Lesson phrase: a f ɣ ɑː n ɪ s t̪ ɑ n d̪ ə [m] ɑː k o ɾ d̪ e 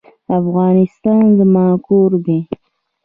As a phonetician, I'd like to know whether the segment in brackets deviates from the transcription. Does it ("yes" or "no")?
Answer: no